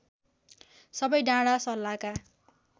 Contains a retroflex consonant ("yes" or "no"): yes